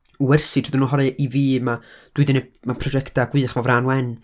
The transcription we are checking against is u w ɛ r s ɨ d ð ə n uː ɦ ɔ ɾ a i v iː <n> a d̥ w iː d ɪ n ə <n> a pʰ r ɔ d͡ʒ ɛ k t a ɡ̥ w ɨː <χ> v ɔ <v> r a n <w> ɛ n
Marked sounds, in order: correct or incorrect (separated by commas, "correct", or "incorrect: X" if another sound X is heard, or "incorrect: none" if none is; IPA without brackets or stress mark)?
incorrect: m, incorrect: m, correct, correct, correct